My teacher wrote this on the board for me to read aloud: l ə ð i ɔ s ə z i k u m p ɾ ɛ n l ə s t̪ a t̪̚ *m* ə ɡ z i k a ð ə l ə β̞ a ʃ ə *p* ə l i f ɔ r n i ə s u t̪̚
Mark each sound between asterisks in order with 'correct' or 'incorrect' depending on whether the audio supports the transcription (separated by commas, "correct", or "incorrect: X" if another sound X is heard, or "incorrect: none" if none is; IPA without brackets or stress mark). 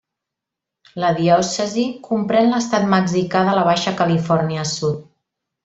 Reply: correct, incorrect: k